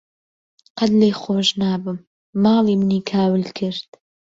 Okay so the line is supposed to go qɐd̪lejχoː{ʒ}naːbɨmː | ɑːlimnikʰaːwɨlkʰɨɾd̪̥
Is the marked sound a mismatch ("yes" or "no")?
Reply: no